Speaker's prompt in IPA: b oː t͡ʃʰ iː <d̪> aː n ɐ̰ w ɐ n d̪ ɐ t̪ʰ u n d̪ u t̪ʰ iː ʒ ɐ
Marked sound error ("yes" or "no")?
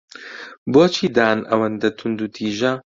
no